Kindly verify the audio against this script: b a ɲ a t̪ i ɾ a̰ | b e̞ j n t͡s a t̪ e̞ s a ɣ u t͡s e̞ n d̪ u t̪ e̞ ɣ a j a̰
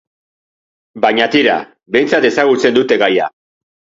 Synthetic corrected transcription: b a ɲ a t̪ i ɾ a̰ | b e̞ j n t͡s a t̪ e̞ s a ɣ u t͡s e̞ n d̪ u t̪ e̞ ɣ a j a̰